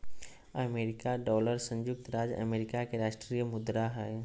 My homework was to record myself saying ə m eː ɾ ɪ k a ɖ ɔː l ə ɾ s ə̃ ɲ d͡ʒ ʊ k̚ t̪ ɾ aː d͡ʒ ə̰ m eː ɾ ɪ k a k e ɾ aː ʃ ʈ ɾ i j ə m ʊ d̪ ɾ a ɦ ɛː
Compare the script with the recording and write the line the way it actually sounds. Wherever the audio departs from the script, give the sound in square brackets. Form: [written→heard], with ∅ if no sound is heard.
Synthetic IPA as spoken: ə m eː ɾ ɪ k a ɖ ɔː l ə ɾ s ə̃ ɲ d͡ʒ ʊ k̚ t̪ ɾ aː d͡ʒ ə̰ m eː ɾ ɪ k a k e ɾ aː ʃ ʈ ɾ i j ə m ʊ d̪ ɾ a ɦ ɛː